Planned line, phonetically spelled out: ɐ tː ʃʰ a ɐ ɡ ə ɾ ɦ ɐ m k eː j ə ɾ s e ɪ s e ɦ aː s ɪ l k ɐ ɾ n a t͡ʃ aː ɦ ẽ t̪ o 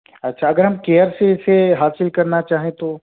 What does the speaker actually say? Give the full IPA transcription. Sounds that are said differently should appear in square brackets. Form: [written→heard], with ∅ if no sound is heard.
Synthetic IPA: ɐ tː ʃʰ a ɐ ɡ ə ɾ ɦ ɐ m k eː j ə ɾ s e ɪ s e ɦ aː s ɪ l k ɐ ɾ n a t͡ʃ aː ɦ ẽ t̪ o

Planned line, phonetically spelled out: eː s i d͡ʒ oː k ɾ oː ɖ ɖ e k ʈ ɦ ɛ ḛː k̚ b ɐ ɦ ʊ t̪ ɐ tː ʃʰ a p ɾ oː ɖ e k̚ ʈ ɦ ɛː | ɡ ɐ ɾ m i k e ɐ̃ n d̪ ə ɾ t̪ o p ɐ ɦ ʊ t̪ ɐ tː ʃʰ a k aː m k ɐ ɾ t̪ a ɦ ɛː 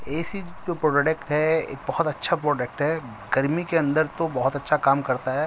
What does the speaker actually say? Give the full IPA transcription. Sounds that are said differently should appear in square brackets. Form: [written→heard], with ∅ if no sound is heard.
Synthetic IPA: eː s i d͡ʒ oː [k→p] ɾ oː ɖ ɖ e k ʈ ɦ ɛ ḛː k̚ b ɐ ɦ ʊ t̪ ɐ tː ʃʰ a p ɾ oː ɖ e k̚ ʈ ɦ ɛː | ɡ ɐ ɾ m i k e ɐ̃ n d̪ ə ɾ t̪ o [p→b] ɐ ɦ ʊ t̪ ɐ tː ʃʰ a k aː m k ɐ ɾ t̪ a ɦ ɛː

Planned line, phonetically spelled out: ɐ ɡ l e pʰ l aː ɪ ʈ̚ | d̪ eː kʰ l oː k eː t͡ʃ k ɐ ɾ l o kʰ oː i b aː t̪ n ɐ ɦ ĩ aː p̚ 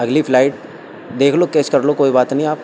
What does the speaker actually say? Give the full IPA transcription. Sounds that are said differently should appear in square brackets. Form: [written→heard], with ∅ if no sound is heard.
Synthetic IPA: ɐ ɡ l [e→i] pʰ l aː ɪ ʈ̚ | d̪ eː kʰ l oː k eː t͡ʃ k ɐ ɾ l o [kʰ→k] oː i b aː t̪ n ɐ ɦ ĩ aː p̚

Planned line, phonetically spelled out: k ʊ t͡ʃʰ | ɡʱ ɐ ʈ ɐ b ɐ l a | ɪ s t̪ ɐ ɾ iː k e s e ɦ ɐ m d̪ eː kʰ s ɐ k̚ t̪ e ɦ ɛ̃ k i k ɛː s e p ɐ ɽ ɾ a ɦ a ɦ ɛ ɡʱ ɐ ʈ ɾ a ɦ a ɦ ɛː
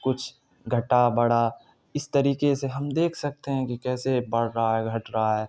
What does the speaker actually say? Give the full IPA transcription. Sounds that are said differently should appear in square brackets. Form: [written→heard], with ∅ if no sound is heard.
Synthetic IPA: k ʊ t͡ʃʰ | ɡʱ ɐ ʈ [ɐ→a] b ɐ [l→ɽ] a | ɪ s t̪ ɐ ɾ iː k e s e ɦ ɐ m d̪ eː kʰ s ɐ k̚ t̪ e ɦ ɛ̃ k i k ɛː s e [p→b] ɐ ɽ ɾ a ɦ a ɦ ɛ ɡʱ ɐ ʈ ɾ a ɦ a ɦ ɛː

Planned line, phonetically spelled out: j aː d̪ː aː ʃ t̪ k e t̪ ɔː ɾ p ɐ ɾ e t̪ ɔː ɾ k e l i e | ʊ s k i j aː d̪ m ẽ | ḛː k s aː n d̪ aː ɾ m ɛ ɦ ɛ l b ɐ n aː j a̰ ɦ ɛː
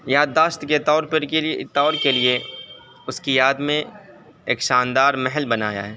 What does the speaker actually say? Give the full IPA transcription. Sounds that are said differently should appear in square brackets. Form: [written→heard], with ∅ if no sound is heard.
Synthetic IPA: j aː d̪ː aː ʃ t̪ k e t̪ ɔː ɾ p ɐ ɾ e t̪ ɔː ɾ k e l i e | ʊ s k i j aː d̪ m ẽ | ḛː k [s→ʃ] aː n d̪ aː ɾ m ɛ ɦ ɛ l b ɐ n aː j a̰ ɦ ɛː

